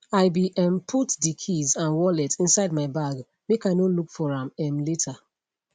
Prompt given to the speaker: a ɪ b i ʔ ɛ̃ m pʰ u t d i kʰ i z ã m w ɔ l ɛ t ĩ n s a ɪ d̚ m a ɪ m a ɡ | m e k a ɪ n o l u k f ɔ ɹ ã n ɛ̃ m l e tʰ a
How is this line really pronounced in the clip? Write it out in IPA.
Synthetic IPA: a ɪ b i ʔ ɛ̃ m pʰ u t d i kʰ i z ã n w ɔ l ɛ t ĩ n s a ɪ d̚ m a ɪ b a ɡ | m e k a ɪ n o l u k f ɔ ɹ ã m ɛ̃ m l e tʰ a